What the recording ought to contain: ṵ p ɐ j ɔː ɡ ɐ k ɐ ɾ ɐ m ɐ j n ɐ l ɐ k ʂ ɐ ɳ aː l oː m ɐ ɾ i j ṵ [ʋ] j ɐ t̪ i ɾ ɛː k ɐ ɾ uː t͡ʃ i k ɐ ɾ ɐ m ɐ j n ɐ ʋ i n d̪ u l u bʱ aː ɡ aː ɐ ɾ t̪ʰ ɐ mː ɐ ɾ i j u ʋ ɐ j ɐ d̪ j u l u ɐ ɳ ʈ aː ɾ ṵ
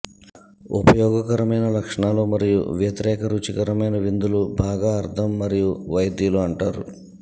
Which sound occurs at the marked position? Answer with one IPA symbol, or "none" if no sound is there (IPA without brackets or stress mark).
ʋ